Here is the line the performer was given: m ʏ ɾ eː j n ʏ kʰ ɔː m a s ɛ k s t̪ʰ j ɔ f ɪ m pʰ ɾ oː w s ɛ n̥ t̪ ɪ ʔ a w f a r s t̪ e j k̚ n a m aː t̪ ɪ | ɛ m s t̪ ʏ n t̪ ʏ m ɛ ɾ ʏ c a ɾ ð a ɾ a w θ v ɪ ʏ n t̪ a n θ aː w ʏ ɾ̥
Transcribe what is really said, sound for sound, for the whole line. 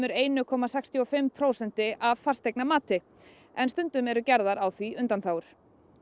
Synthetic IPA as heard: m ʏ ɾ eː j n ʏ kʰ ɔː m a s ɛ k s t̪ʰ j ɔ f ɪ m pʰ ɾ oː w s ɛ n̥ t̪ ɪ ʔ a v f a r s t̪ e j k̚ n a m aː t̪ ɪ | ɛ n s t̪ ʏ n t̪ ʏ m ɛ ɾ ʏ c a ɾ ð a ɾ a w θ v i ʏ n t̪ a n θ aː w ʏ ɾ̥